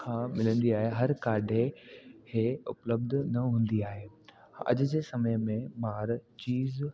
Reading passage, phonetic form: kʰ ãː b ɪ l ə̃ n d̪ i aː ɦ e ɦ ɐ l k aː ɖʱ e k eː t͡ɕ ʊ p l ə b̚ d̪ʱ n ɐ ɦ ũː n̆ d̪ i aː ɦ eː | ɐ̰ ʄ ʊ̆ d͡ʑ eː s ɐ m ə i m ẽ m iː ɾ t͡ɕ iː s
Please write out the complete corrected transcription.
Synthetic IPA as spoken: kʰ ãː m ɪ l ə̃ n d̪ i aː ɦ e ɦ ɐ ɾ k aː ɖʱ e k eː ʊ p l ə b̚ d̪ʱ n ɐ ɦ ũː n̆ d̪ i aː ɦ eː | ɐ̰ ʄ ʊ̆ d͡ʑ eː s ɐ m ə j m ẽ m aː ɾ t͡ɕ iː z